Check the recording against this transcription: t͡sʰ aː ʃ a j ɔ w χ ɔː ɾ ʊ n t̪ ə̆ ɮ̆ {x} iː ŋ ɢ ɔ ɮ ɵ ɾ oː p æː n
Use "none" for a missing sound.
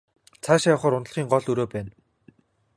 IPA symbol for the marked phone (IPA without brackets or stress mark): χ